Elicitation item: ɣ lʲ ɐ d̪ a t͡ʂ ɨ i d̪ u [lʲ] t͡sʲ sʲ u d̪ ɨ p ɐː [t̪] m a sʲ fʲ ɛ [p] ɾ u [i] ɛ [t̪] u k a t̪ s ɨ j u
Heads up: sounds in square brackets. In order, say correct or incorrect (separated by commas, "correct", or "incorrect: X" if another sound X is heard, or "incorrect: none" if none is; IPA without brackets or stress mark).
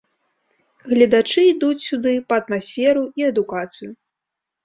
incorrect: none, correct, incorrect: none, correct, incorrect: d̪